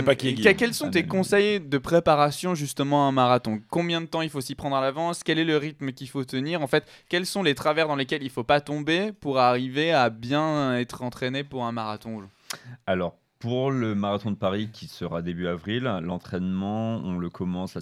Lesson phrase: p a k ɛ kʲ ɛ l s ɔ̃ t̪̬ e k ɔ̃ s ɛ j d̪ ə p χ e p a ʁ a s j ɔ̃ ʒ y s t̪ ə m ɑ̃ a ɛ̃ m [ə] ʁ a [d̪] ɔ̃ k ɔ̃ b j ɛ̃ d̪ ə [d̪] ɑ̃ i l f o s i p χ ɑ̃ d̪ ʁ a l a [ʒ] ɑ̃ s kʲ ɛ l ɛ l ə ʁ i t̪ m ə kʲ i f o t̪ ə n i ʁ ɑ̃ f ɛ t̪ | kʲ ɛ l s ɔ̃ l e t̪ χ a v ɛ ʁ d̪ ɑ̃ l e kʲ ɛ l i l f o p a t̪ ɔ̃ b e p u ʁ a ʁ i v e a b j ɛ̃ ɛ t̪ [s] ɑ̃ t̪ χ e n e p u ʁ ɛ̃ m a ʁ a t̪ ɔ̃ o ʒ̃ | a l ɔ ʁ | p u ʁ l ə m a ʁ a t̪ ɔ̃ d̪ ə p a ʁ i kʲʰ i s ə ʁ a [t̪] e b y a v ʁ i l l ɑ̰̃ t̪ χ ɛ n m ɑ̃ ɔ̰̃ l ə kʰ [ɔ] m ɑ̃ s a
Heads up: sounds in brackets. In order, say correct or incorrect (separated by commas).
incorrect, incorrect, incorrect, incorrect, incorrect, incorrect, correct